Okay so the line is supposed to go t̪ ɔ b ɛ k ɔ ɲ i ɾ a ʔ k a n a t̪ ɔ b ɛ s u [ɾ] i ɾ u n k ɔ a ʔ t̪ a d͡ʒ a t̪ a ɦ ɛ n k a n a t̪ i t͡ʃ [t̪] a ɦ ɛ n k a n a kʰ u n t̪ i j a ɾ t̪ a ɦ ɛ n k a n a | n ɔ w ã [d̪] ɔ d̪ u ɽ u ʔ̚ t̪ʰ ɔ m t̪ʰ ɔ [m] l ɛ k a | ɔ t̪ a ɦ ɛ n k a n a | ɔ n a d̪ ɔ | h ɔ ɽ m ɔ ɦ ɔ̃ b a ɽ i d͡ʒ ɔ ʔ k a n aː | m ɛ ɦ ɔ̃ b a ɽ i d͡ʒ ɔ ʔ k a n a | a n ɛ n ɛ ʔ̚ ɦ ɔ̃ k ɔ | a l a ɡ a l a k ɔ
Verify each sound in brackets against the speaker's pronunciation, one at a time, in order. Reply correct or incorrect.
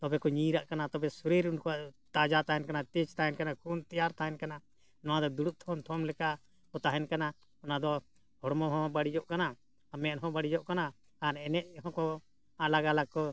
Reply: correct, correct, correct, correct

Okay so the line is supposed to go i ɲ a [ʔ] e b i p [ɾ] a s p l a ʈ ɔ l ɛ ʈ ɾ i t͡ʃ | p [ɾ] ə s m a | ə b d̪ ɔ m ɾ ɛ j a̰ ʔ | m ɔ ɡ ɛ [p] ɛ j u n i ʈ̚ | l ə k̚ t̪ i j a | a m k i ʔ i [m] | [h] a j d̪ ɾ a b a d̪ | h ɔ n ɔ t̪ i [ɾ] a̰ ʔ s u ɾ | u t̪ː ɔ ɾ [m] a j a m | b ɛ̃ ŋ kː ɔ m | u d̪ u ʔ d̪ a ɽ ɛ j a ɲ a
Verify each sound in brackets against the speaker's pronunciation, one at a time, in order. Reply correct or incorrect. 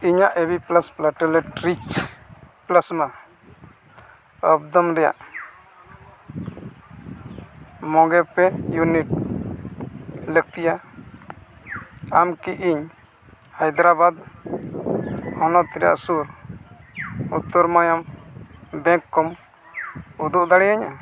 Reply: correct, incorrect, incorrect, correct, incorrect, correct, correct, correct

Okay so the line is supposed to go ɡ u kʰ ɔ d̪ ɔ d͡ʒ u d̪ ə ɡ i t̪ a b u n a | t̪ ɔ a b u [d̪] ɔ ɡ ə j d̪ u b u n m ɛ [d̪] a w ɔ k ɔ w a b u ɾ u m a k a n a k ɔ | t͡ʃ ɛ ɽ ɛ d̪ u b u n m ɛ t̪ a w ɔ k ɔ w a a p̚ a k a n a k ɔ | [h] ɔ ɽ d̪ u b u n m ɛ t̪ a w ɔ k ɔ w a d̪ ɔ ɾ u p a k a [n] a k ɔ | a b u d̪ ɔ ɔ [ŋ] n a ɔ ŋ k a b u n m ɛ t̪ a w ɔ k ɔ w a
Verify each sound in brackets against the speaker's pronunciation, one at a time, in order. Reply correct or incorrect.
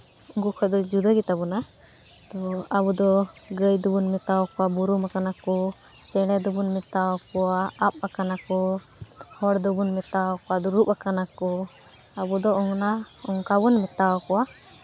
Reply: correct, incorrect, correct, correct, correct

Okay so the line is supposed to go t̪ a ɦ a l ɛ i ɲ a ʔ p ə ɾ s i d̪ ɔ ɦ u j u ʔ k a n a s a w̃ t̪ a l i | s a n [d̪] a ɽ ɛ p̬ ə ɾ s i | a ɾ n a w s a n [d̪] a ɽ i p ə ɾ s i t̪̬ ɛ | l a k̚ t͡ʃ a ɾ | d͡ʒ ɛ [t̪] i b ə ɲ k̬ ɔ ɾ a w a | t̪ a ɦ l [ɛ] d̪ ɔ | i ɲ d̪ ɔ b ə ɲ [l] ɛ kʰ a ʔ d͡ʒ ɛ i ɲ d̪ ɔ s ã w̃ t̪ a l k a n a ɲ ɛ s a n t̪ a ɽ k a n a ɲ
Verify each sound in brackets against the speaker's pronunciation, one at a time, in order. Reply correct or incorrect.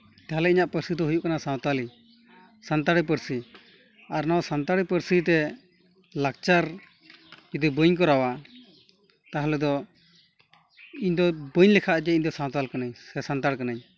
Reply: incorrect, incorrect, incorrect, correct, correct

